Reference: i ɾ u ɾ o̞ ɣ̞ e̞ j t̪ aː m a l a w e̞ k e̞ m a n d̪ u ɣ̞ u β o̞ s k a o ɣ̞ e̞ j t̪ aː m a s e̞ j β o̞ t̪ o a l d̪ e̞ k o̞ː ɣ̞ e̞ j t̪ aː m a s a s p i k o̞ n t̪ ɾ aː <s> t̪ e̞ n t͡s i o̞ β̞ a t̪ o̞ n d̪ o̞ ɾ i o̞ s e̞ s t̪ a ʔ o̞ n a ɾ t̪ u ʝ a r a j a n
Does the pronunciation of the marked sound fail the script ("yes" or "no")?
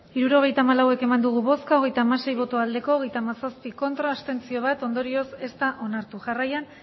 no